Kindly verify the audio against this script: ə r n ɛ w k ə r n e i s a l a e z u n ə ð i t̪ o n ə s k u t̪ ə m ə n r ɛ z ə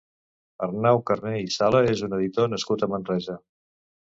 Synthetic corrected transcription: ə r n a w k ə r n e i s a l ə e z u n ə ð i t̪ o n ə s k u t̪ ə m ə n r ɛ z ə

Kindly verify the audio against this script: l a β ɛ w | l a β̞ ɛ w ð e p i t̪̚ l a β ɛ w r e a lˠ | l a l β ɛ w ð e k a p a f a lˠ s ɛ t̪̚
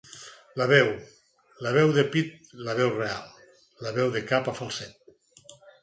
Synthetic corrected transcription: l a β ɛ w | l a β̞ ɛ w ð e p i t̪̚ l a β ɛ w r e a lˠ | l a β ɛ w ð e k a p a f a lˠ s ɛ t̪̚

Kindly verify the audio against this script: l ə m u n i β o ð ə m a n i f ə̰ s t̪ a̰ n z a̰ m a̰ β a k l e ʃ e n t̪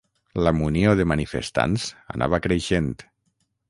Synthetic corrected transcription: l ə m u n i o ð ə m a n i f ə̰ s t̪ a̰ n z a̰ n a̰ β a k ɾ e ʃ e n t̪

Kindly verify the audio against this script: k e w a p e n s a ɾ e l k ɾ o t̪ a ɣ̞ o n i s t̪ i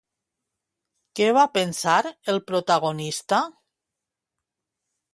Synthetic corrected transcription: k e β a p e n s a ɾ e l p ɾ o t̪ a ɣ̞ o n i s t̪ a

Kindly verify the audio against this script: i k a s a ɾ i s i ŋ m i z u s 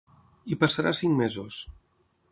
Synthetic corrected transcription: i p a s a ɾ a s i ŋ m e z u s

